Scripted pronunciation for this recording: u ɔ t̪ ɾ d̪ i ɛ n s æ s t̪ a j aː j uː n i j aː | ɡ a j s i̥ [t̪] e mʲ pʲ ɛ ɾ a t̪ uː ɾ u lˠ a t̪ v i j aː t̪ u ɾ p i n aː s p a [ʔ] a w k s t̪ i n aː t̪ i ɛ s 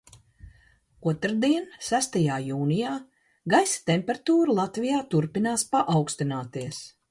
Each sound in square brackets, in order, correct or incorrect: correct, correct

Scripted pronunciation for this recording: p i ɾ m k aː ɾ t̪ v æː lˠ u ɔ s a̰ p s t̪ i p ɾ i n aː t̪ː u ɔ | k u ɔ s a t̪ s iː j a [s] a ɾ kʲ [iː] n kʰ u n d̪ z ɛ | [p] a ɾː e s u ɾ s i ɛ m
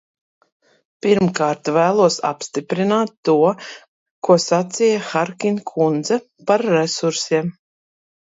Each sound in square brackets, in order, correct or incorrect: incorrect: x, incorrect: i, correct

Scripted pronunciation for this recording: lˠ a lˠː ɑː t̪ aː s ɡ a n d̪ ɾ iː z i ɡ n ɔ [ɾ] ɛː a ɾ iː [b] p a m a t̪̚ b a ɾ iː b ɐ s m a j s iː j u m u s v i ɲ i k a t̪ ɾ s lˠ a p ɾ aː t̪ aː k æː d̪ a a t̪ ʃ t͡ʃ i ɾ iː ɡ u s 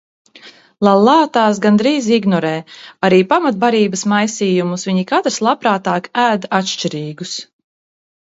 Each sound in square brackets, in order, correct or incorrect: correct, incorrect: none

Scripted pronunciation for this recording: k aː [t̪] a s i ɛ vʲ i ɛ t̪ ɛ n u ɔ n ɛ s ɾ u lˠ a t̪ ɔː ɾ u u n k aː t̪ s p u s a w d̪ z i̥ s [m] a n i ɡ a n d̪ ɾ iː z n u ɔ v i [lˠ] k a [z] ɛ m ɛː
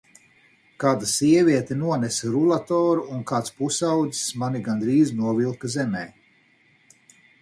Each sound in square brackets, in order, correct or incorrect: incorrect: d̪, correct, correct, correct

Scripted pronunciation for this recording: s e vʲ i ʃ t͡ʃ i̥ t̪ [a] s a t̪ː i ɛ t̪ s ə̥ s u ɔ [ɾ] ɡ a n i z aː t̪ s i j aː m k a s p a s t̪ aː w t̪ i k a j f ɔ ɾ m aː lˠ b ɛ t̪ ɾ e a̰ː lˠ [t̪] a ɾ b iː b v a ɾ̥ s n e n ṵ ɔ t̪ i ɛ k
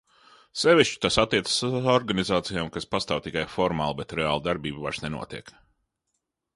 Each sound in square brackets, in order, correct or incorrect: correct, correct, incorrect: d̪

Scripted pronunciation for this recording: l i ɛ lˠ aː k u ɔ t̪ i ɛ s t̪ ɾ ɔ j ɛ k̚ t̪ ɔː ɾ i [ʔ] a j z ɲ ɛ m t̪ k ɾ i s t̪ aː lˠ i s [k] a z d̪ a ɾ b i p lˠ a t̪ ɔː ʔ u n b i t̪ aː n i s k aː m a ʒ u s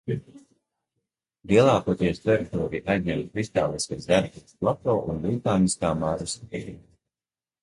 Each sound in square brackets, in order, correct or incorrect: correct, correct

